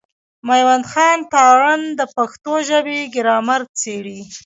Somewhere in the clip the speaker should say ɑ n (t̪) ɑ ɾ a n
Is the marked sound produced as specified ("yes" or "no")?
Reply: yes